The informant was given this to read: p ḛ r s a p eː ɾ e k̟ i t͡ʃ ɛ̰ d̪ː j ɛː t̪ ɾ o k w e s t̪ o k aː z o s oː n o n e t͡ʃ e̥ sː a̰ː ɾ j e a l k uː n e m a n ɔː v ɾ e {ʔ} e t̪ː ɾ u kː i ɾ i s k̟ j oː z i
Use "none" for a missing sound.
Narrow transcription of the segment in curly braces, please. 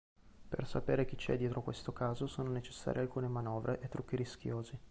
ʔ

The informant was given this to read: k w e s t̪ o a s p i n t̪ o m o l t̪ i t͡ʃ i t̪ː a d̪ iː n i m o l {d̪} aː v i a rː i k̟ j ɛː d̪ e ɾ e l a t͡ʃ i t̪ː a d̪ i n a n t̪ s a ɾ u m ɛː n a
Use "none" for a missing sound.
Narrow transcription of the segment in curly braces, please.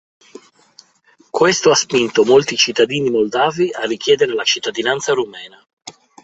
d̪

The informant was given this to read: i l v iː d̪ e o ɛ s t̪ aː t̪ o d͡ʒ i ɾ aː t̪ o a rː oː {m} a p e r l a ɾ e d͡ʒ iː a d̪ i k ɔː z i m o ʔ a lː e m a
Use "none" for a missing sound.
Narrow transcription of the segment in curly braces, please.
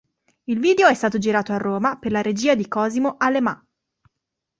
m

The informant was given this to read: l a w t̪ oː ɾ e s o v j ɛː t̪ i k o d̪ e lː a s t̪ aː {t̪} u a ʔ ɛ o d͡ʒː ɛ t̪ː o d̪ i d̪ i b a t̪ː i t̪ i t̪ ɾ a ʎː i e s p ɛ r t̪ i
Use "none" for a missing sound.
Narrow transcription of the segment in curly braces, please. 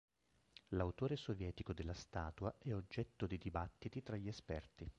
t̪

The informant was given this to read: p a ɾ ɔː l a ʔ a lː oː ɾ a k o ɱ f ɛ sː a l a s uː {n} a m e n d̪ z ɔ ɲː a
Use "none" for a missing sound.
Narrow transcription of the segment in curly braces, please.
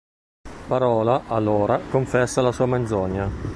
none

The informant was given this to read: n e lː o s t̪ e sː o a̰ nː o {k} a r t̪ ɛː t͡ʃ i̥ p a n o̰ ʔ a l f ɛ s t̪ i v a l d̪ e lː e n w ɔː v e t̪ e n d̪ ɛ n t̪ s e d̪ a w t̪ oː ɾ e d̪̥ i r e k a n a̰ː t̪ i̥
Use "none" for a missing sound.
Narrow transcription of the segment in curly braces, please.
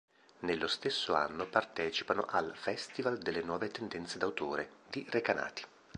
p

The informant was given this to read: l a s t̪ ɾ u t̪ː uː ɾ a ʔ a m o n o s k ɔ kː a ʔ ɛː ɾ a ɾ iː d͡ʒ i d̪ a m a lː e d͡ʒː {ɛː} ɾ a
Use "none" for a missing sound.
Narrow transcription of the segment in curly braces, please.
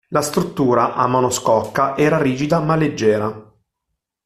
ɛː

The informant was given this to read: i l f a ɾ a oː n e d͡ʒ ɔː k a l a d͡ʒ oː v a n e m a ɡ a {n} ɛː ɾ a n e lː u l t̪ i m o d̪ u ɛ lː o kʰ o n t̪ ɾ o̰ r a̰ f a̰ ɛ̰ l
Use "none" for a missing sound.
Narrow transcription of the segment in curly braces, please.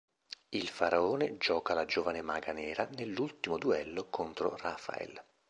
n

